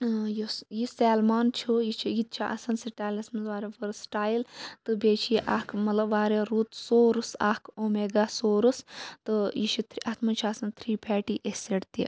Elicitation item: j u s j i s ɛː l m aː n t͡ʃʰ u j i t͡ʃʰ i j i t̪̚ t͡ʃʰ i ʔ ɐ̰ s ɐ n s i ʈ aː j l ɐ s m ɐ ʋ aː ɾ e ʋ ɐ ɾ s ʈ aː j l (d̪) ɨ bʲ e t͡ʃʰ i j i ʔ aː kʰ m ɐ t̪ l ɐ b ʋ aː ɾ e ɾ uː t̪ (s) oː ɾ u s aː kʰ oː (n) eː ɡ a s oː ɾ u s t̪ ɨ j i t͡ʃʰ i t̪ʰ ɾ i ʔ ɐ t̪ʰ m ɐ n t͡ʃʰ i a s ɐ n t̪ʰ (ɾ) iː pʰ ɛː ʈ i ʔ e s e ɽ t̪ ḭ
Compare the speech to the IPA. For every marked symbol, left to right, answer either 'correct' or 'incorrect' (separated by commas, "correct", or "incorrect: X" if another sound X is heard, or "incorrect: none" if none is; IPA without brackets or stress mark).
incorrect: t̪, correct, incorrect: m, correct